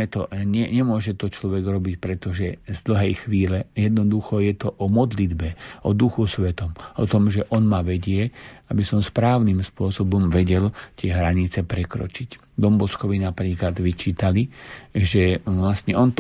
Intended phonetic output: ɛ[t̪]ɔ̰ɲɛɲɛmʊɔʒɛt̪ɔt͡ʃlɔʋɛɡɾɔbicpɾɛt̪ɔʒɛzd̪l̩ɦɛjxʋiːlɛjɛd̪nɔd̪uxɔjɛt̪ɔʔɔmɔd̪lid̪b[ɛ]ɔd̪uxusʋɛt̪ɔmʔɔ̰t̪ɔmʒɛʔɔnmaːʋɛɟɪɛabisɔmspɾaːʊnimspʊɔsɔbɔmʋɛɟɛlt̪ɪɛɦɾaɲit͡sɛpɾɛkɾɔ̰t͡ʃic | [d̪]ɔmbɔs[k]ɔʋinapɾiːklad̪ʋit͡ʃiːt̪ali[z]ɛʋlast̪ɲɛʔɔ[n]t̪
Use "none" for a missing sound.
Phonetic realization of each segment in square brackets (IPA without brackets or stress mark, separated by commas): t̪, ɛ, d̪, k, ʒ, n